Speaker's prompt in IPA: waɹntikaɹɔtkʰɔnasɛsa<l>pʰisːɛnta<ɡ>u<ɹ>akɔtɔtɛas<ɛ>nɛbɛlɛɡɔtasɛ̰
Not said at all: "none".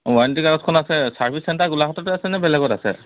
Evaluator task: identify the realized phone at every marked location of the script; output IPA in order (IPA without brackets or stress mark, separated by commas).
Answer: ɹ, ɡ, l, ɛ